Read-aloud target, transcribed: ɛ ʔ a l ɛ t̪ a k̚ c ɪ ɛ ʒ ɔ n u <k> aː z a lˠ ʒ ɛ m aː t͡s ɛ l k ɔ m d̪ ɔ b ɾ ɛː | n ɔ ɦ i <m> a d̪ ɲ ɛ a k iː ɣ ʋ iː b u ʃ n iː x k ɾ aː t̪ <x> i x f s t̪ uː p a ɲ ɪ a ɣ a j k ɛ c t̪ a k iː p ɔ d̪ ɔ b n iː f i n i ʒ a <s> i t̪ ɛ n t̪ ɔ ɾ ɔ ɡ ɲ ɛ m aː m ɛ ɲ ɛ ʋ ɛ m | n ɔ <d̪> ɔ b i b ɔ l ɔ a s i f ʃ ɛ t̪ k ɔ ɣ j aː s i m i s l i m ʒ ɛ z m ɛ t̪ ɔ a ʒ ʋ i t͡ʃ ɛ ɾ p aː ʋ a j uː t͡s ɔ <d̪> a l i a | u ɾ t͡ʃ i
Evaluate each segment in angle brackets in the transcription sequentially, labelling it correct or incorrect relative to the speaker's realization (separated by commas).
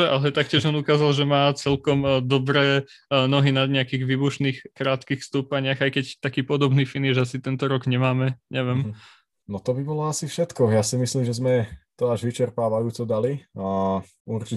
correct, incorrect, incorrect, correct, incorrect, correct